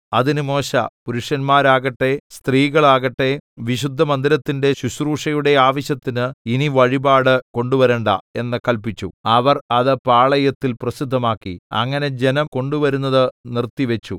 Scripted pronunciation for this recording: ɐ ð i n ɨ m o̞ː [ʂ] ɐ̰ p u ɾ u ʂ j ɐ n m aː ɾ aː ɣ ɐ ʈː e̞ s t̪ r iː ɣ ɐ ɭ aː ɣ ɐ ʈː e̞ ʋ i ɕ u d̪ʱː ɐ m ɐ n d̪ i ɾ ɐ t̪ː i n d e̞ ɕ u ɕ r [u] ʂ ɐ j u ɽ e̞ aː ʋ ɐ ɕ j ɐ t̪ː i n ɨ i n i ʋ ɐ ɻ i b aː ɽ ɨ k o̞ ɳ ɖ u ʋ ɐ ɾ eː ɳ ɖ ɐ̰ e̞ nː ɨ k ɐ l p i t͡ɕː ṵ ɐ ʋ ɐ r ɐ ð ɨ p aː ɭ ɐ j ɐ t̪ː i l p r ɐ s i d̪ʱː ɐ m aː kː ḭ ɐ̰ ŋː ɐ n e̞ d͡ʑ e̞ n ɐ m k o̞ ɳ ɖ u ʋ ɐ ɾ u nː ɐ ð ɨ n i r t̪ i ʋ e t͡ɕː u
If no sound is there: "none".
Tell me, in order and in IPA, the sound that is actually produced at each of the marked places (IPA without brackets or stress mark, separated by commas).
ɕ, uː